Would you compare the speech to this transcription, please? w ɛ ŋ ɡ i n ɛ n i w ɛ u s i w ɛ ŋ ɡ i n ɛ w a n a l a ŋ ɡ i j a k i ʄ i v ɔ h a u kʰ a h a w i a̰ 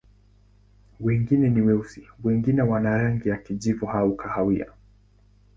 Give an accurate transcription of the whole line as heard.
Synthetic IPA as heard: w ɛ ŋ ɡ i n ɛ n i w ɛ u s i w ɛ ŋ ɡ i n ɛ w a n a ɾ a ŋ ɡ i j a k i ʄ i v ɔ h a u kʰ a h a w i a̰